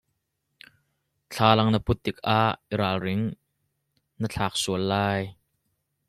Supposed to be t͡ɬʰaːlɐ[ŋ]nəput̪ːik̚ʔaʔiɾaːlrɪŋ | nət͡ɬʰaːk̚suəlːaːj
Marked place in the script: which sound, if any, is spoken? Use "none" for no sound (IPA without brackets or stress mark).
ŋ